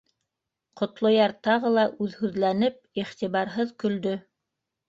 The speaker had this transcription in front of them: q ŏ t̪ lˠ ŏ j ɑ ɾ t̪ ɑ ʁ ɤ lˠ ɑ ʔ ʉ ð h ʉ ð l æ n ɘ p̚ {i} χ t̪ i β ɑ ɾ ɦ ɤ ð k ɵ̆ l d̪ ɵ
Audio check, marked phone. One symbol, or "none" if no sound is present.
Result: i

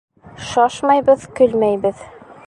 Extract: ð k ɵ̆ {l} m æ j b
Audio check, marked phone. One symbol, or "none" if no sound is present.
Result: l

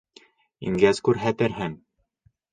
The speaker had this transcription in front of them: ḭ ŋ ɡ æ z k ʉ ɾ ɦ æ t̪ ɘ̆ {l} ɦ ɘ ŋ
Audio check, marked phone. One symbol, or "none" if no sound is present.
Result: ɾ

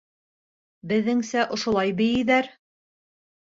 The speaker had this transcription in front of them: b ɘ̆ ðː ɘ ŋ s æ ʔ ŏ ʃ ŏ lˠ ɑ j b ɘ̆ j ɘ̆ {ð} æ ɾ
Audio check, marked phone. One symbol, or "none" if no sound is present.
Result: ð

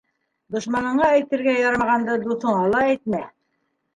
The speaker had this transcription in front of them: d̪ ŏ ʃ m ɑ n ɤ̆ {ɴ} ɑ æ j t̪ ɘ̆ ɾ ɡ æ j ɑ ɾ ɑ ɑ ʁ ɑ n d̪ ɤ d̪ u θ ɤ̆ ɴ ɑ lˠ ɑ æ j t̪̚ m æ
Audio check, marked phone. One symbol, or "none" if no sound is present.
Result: ɴ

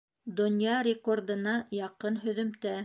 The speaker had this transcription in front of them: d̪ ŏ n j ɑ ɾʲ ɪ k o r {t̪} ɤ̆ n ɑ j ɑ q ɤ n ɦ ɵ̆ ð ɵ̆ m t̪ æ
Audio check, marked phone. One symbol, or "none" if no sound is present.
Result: d̪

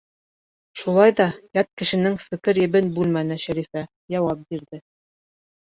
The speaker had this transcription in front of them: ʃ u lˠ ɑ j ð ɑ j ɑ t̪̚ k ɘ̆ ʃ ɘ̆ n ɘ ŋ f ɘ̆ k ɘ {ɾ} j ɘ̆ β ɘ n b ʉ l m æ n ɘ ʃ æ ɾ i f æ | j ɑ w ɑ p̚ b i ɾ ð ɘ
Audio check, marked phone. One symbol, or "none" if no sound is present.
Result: ɾ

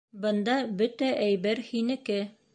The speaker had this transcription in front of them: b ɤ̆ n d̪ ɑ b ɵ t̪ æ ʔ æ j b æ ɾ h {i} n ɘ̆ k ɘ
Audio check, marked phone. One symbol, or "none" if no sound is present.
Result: i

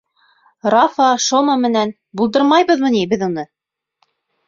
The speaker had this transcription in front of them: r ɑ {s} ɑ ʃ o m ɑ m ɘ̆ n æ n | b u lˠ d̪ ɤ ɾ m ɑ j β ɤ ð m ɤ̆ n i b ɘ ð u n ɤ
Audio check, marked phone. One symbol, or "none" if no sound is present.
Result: f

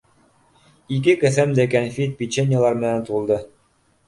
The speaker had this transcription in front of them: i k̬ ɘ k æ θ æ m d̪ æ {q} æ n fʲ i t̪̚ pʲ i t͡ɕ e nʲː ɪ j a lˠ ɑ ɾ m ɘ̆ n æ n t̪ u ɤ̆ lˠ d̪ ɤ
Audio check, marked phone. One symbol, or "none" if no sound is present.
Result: k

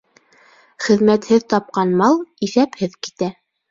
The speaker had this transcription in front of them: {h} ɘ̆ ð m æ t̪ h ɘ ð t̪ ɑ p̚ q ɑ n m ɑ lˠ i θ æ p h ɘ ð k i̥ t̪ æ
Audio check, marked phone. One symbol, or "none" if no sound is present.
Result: χ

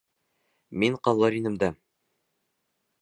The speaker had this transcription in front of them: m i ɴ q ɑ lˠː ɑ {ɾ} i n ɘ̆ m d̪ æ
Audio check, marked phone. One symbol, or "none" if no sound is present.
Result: ɾ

